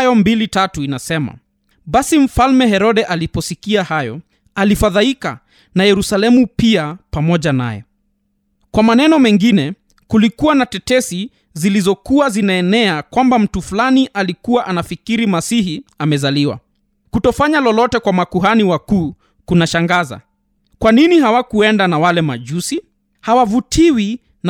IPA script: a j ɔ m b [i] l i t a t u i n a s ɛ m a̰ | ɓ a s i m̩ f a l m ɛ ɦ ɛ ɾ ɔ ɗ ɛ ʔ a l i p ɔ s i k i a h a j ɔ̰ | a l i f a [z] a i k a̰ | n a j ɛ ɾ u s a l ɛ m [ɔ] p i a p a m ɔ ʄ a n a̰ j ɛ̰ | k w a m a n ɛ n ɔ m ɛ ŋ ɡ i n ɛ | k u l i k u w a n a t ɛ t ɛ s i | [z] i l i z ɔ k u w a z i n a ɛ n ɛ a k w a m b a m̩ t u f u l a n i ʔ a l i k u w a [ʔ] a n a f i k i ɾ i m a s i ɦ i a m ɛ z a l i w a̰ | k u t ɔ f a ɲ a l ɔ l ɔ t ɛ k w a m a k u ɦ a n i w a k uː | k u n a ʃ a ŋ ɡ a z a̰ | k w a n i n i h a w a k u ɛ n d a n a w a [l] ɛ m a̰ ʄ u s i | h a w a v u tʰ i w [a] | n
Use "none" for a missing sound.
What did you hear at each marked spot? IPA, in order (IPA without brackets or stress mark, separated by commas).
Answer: i, ð, u, z, ʔ, l, i